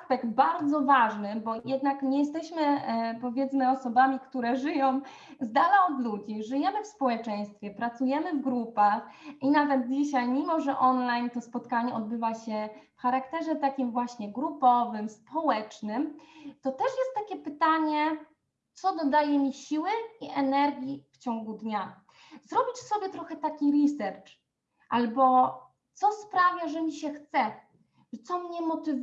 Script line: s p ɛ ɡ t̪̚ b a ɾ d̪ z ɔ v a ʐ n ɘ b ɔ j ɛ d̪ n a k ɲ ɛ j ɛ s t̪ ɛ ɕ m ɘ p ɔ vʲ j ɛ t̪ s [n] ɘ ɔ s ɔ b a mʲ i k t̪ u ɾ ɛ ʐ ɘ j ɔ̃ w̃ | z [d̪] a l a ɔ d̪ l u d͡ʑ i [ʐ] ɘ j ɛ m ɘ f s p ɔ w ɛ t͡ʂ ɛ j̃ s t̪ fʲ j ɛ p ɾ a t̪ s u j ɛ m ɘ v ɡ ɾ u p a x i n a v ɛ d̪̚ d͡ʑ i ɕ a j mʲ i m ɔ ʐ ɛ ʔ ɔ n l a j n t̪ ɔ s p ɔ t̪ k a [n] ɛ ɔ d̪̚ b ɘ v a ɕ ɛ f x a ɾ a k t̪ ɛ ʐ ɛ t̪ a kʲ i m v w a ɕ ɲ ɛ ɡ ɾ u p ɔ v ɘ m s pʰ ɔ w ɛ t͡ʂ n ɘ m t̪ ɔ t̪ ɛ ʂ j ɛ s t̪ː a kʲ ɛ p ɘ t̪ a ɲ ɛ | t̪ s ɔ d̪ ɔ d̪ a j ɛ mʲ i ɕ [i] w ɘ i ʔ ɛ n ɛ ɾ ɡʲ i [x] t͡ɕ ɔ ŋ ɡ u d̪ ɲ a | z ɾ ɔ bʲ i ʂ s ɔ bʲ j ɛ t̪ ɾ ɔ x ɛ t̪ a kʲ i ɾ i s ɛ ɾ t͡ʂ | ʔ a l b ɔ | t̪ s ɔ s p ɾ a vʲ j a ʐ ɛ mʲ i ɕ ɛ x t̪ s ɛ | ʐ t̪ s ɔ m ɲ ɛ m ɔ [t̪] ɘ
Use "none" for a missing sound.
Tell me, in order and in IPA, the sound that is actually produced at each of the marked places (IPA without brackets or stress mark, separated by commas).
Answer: m, d̪, ʐ, ɲ, i, f, t̪